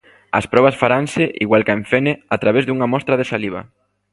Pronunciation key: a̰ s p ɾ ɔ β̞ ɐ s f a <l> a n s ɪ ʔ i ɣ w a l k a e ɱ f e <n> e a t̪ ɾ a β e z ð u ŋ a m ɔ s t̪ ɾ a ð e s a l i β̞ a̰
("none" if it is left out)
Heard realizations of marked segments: ɾ, n

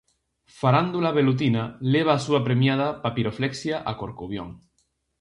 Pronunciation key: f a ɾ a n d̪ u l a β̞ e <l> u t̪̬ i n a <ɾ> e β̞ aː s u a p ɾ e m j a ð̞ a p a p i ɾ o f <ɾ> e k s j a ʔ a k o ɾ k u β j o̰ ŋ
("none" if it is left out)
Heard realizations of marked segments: l, l, l

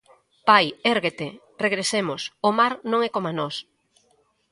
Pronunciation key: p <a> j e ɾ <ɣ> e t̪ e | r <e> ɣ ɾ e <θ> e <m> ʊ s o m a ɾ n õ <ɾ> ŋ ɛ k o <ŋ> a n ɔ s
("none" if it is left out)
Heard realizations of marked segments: a, ɣ, e, s, m, none, m

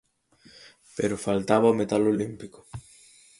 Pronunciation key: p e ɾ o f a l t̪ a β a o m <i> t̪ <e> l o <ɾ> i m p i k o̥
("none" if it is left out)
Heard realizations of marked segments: e, a, l

